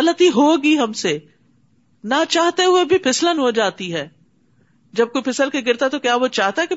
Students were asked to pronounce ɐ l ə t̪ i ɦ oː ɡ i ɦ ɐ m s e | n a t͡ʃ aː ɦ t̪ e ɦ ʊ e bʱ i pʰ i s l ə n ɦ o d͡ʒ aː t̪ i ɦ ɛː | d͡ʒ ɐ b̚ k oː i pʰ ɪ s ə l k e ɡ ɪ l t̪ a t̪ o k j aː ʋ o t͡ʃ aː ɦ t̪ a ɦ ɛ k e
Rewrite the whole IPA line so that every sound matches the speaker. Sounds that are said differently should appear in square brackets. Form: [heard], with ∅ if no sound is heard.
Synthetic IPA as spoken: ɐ l ə t̪ i ɦ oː ɡ i ɦ ɐ m s e | n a t͡ʃ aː ɦ t̪ e ɦ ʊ e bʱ i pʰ [ɪ] s l ə n ɦ o d͡ʒ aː t̪ i ɦ ɛː | d͡ʒ ɐ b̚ k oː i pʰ ɪ s ə l k e ɡ ɪ [ɾ] t̪ a t̪ o k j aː ʋ o t͡ʃ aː ɦ t̪ a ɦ ɛ k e